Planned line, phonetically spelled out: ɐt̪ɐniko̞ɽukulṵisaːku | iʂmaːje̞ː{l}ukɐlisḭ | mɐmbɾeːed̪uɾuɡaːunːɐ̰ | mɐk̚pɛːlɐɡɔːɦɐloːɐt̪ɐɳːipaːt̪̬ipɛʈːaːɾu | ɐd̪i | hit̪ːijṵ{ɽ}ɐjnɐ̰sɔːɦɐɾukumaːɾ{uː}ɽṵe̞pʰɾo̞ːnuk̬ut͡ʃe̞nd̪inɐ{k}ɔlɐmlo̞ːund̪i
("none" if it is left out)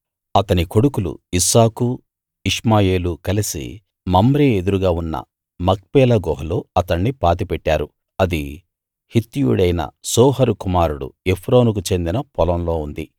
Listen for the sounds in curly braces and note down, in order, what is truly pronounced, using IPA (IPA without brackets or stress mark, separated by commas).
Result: l, ɽ, u, p